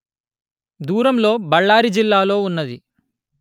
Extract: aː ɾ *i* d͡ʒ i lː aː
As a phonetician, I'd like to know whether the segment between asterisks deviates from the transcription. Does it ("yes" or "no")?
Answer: no